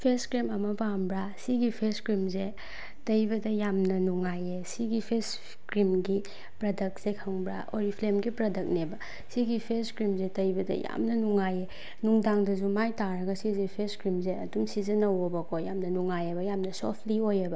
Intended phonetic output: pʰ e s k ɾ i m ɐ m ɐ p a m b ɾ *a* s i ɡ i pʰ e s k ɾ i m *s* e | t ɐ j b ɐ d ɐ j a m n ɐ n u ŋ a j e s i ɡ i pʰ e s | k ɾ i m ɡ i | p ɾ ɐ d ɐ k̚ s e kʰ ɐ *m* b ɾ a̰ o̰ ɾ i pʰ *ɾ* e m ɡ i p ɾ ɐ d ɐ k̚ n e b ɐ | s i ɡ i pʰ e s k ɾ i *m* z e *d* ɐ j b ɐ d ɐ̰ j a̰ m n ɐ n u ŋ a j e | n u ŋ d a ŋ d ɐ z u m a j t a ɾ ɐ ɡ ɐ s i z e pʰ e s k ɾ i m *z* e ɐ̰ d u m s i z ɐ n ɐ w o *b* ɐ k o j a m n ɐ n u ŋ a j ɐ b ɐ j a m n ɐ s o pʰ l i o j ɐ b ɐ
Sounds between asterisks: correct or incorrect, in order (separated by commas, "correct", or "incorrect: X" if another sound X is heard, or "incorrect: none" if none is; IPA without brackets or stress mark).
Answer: correct, incorrect: z, incorrect: ŋ, incorrect: l, correct, incorrect: t, correct, correct